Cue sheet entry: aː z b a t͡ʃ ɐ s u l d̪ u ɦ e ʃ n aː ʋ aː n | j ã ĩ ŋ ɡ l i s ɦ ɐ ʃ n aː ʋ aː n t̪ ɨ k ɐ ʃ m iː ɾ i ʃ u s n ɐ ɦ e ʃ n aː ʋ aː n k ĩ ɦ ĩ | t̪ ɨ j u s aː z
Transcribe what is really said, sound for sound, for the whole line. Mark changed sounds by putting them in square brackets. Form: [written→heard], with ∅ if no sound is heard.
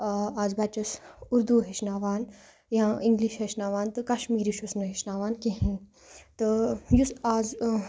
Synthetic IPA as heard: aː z b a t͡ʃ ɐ s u [l→ɾ] d̪ u ɦ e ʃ n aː ʋ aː n | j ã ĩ ŋ ɡ l i [s→ʃ] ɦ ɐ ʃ n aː ʋ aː n t̪ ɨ k ɐ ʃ m iː ɾ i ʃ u s n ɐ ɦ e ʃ n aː ʋ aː n k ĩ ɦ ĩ | t̪ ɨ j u s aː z